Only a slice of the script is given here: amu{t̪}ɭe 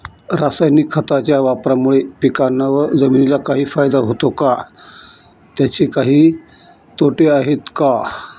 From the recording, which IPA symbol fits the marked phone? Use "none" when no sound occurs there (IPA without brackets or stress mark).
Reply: none